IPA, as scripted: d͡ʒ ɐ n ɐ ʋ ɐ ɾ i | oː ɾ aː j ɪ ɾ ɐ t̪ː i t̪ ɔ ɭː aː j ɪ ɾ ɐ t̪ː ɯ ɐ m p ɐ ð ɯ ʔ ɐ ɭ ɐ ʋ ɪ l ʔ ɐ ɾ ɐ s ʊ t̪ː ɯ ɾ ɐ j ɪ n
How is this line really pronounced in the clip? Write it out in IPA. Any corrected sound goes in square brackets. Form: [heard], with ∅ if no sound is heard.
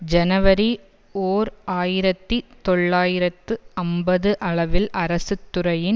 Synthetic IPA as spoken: d͡ʒ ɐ n ɐ ʋ ɐ ɾ i | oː ɾ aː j ɪ ɾ ɐ t̪ː i t̪ ɔ ɭː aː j ɪ ɾ ɐ t̪ː ɯ ɐ m [b] ɐ ð ɯ ʔ ɐ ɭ ɐ ʋ ɪ l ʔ ɐ ɾ ɐ s [ɯ] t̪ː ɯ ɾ ɐ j ɪ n